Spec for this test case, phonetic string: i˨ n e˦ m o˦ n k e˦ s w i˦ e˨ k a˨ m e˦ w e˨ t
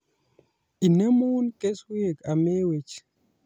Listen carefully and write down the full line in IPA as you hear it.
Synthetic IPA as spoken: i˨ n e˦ m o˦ n k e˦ s w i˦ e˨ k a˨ m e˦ w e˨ t͡ʃ